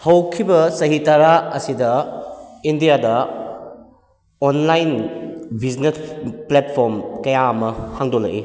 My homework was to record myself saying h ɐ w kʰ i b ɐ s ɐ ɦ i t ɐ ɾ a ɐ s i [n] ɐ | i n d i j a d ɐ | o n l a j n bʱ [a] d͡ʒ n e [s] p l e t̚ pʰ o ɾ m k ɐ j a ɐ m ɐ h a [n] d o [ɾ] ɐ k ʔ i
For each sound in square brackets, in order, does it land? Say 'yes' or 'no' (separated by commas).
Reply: no, no, yes, no, no